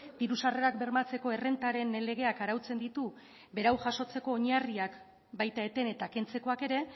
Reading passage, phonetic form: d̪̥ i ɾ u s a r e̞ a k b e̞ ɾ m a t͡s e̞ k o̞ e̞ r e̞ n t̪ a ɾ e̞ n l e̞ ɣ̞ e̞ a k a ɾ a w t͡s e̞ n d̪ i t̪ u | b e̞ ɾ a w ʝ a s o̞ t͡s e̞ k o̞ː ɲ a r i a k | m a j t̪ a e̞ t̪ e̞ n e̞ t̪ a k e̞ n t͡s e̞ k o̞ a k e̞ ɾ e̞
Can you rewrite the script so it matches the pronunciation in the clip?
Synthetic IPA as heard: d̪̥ i ɾ u s a r e̞ a k b e̞ ɾ m a t͡s e̞ k o̞ e̞ r e̞ n t̪ a ɾ e̞ n l e̞ ɣ̞ e̞ a k a ɾ a w t͡s e̞ n d̪ i t̪ u | b e̞ ɾ a w ʝ a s o̞ t͡s e̞ k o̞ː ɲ a r i a k | b a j t̪ a e̞ t̪ e̞ n e̞ t̪ a k e̞ n t͡s e̞ k o̞ a k e̞ ɾ e̞